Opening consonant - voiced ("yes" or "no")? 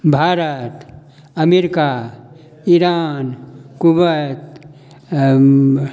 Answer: yes